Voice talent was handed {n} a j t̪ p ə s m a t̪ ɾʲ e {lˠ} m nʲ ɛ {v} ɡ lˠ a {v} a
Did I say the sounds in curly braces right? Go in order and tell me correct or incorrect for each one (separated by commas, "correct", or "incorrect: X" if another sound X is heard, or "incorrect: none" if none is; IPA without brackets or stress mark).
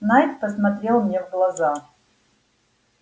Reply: correct, correct, correct, incorrect: z